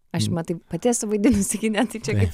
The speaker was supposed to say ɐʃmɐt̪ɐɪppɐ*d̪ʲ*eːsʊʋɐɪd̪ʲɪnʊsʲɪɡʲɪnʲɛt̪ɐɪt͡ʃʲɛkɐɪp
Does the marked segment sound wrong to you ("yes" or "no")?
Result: yes